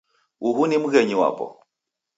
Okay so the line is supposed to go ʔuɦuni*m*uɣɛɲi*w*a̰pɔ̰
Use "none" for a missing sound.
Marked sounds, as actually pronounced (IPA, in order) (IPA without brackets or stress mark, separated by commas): m, w